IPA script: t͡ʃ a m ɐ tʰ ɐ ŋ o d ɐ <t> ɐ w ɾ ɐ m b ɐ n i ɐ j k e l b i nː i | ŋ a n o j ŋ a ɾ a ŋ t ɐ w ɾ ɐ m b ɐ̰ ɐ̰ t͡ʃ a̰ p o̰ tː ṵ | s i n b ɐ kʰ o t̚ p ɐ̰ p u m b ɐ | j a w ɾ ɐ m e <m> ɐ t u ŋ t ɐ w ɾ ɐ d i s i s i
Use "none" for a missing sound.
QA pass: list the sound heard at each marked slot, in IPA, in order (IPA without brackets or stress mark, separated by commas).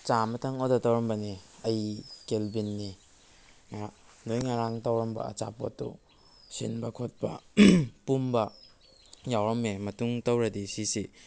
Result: t, m